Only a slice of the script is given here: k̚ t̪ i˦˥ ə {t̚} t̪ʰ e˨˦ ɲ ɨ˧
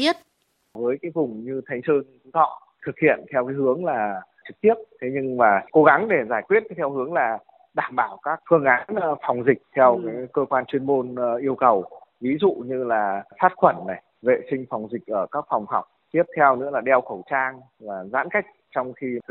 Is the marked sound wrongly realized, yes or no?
yes